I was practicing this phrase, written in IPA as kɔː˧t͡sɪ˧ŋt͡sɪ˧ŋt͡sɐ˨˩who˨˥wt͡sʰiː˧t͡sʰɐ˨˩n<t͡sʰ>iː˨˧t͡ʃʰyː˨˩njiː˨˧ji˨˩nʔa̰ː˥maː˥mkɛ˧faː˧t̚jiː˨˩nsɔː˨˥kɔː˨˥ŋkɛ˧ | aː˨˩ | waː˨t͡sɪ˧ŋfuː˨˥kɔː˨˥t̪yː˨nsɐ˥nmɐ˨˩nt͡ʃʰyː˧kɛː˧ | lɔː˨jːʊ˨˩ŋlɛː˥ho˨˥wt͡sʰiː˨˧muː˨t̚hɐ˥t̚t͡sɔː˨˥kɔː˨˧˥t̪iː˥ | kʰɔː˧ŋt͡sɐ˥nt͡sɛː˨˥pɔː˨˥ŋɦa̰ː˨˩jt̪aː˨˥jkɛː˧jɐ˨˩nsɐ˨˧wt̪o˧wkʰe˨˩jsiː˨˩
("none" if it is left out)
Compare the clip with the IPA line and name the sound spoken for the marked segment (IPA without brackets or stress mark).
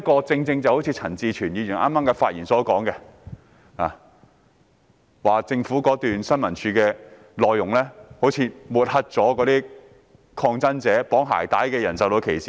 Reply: t͡s